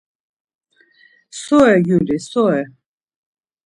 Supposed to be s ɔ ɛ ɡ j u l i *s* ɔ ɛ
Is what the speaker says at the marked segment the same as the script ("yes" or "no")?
yes